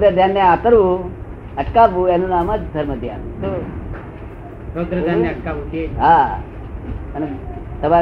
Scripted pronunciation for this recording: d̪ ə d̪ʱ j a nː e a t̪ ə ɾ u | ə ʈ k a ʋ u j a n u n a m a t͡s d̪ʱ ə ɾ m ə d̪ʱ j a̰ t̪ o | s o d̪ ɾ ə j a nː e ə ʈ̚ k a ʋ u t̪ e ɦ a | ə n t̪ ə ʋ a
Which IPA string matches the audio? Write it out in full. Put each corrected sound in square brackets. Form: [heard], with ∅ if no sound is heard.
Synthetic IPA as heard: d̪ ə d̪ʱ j a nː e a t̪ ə ɾ u | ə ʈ k a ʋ u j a n u n a m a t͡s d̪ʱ ə ɾ m ə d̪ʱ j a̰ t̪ o | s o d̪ ɾ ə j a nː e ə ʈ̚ k a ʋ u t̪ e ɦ a | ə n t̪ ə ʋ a